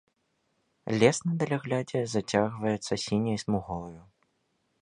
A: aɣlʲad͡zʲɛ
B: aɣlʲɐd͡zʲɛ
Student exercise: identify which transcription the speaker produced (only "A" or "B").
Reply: A